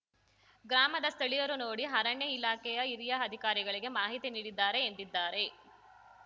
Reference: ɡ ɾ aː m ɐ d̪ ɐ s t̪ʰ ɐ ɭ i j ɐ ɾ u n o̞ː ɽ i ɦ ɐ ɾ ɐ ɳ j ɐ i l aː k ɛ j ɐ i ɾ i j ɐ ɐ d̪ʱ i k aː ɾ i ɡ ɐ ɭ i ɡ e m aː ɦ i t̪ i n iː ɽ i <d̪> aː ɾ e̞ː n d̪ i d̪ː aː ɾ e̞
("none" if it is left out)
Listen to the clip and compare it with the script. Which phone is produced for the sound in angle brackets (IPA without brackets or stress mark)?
d̪ː